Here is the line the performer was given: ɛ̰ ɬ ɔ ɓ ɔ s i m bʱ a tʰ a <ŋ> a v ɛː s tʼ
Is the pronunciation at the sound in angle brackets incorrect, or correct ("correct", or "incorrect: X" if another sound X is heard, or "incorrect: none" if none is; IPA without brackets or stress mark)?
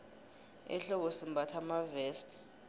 incorrect: m